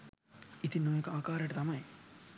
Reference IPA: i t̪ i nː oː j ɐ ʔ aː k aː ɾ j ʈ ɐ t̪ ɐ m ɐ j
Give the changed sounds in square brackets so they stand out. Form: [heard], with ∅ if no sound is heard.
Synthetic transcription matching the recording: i t̪ i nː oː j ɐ [k] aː k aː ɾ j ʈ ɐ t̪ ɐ m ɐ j